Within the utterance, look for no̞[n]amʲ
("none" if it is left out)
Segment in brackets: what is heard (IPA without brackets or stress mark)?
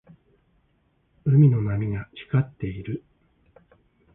n